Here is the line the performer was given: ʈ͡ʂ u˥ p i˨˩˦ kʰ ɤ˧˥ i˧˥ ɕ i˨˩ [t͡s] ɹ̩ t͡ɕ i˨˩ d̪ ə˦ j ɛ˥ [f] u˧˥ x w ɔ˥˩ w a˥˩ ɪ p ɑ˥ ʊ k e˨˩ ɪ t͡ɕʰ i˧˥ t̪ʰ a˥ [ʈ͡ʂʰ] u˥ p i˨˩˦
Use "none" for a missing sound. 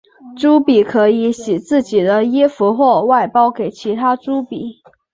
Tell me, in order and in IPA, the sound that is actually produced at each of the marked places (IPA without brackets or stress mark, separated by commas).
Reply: t͡s, f, ʈ͡ʂ